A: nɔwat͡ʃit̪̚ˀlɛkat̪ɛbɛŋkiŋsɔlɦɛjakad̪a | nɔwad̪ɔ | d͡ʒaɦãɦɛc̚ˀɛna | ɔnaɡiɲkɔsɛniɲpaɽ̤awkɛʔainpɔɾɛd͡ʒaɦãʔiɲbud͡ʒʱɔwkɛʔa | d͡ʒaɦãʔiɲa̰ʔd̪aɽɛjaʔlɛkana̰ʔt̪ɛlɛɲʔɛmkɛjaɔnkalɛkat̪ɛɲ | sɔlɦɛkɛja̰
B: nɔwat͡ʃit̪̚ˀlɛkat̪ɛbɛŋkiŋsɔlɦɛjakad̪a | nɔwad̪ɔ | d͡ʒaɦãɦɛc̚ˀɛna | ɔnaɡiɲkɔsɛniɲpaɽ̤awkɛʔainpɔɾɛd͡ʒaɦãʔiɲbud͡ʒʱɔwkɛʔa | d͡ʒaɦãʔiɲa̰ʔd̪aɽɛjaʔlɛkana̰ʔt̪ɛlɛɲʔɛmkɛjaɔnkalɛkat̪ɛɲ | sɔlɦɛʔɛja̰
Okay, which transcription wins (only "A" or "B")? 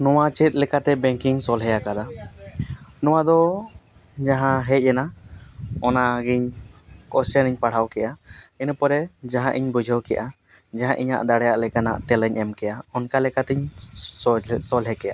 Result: A